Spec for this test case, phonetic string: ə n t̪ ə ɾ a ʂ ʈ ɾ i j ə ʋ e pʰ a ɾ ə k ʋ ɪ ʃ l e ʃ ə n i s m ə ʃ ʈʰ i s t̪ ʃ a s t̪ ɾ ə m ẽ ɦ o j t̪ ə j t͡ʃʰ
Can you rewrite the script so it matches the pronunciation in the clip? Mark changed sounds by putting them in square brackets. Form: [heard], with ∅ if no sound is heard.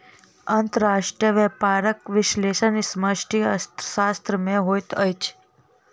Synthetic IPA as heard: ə n t̪ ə ɾ a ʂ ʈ ɾ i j ə ʋ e [p] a ɾ ə k ʋ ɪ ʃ l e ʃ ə n i s m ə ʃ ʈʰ i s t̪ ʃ a s t̪ ɾ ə m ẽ ɦ o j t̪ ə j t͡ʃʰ